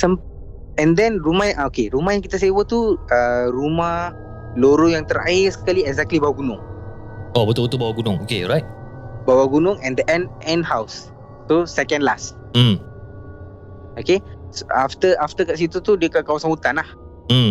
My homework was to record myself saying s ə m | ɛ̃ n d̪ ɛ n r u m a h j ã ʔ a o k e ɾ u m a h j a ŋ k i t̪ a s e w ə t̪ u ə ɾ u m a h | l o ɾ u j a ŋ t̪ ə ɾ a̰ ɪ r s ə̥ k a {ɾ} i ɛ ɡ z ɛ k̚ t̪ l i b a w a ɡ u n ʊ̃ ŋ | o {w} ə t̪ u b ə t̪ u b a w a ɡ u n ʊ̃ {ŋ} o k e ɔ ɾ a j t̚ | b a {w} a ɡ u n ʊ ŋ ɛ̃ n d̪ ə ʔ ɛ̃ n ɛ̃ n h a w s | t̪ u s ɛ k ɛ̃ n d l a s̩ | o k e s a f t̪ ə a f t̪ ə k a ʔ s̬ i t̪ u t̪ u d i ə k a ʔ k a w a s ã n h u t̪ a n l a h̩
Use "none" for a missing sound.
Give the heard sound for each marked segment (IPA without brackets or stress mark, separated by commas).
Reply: l, b, ŋ, w